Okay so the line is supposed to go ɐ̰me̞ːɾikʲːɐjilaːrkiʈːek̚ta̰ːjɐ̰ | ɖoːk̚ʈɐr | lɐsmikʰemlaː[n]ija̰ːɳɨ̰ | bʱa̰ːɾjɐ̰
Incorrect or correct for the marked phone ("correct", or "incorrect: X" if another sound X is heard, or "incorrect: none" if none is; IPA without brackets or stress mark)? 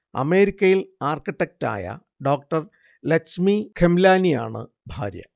correct